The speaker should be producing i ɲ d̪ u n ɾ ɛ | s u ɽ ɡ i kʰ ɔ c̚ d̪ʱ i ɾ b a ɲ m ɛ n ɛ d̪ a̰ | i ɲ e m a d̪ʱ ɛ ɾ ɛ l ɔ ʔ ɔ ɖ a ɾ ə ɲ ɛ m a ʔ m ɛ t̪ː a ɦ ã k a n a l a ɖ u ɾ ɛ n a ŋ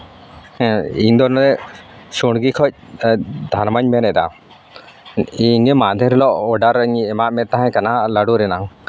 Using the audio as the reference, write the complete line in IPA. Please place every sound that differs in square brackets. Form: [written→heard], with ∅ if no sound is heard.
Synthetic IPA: i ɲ d̪ [u→ɔ] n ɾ ɛ | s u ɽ ɡ i kʰ ɔ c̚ d̪ʱ [i→a] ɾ [b→m] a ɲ m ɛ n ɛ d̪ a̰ | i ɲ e m a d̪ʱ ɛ ɾ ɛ l ɔ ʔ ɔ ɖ a ɾ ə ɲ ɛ m a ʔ m ɛ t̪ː a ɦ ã k a n a l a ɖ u ɾ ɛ n a ŋ